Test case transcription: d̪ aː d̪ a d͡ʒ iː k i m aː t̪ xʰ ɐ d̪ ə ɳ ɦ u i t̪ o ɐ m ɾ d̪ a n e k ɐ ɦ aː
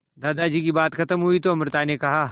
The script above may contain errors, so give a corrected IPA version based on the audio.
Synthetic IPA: d̪ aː d̪ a d͡ʒ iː k i b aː t̪ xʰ ɐ t̪ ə m ɦ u i t̪ o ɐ m ɾ t̪ a n e k ɐ ɦ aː